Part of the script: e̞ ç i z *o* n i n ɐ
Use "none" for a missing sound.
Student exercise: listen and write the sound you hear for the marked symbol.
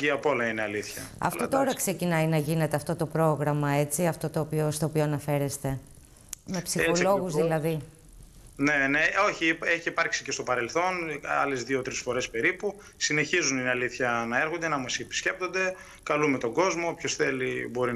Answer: u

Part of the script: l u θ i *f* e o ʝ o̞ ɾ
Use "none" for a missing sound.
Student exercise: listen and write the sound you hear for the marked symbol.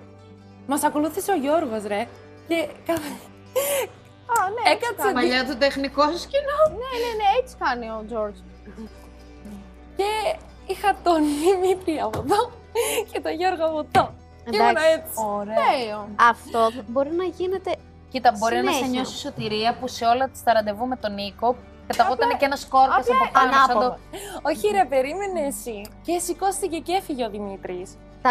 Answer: s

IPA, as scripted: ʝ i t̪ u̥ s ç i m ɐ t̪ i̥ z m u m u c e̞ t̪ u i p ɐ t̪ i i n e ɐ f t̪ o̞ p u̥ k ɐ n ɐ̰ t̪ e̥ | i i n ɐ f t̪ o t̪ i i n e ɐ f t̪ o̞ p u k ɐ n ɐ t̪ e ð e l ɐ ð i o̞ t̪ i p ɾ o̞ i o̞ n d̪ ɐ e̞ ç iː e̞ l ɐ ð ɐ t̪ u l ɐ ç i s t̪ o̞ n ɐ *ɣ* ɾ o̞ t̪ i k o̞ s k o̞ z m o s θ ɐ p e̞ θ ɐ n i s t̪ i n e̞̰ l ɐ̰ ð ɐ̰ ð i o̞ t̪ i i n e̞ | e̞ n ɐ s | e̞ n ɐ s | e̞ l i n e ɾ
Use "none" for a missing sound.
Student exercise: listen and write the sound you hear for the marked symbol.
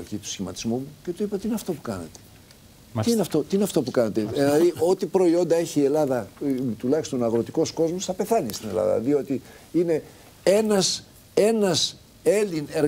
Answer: ɣ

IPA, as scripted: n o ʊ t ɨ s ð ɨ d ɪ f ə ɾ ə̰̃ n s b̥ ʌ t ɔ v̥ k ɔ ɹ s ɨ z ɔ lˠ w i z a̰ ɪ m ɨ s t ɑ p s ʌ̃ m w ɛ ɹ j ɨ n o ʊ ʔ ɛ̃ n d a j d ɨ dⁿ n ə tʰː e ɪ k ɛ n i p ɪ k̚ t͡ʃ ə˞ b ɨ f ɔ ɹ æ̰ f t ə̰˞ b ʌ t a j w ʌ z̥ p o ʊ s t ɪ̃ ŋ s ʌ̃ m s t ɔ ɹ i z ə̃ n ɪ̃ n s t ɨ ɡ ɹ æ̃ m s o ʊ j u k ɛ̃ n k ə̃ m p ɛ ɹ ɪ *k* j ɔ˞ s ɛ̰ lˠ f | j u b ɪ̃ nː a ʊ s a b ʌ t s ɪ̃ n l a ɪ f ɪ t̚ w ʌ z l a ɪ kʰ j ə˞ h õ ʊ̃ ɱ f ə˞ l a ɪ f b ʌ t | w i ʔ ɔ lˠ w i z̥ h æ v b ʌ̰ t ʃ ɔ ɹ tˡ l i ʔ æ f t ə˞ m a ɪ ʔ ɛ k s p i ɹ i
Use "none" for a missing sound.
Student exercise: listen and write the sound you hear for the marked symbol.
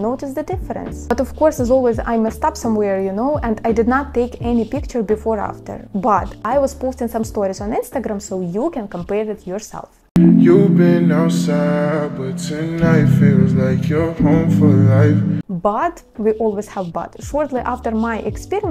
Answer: t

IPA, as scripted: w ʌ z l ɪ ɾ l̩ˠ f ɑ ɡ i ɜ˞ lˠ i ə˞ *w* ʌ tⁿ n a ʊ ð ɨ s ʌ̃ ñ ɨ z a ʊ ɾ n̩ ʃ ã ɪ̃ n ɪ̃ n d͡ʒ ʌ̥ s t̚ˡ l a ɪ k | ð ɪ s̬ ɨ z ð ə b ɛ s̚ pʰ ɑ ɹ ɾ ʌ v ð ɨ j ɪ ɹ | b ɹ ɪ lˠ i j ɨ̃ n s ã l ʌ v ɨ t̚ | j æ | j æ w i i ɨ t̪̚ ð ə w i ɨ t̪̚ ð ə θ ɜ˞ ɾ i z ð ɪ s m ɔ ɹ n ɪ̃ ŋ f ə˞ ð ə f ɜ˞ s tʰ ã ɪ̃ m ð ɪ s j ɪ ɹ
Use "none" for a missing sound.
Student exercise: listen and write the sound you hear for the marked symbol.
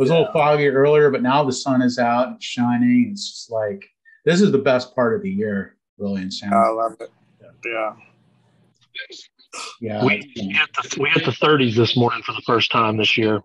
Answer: b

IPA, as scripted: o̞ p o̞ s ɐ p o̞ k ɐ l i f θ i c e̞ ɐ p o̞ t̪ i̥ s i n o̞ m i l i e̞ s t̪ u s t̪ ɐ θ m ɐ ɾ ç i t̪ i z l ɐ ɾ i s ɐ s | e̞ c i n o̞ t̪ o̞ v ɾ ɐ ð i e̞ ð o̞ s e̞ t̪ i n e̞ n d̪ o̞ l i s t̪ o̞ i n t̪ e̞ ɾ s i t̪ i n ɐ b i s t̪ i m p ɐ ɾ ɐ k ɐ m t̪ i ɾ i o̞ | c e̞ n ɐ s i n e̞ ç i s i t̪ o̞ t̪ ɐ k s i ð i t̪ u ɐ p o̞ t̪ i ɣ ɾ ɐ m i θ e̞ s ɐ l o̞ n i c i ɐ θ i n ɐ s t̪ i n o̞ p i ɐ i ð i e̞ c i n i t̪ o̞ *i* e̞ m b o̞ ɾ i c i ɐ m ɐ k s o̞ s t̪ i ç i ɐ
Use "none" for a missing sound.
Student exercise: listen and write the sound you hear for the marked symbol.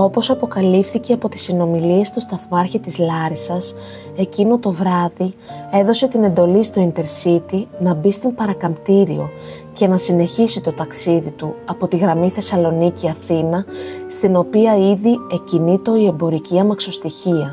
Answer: i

